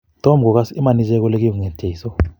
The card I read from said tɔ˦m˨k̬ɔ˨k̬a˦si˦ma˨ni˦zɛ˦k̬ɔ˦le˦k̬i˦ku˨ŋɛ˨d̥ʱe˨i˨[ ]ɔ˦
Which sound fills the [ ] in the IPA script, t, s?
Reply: s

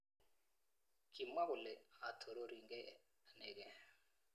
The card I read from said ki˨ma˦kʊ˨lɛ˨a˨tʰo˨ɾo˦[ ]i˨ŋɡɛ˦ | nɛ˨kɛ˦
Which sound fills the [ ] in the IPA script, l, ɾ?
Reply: ɾ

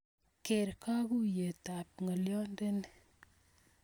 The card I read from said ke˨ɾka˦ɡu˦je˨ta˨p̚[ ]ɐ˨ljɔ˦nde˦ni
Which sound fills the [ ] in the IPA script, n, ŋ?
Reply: ŋ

